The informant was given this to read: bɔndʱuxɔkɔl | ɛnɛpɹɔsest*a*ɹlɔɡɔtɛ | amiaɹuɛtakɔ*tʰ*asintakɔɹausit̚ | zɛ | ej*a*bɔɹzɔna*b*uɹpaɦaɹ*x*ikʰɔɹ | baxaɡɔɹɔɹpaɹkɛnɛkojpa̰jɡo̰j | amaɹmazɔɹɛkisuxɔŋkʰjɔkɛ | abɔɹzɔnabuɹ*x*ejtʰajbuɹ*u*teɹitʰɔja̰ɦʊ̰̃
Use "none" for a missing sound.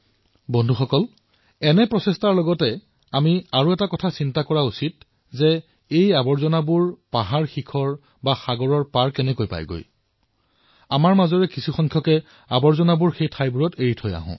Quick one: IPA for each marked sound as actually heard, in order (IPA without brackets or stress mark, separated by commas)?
a, tʰ, a, b, x, x, ɔ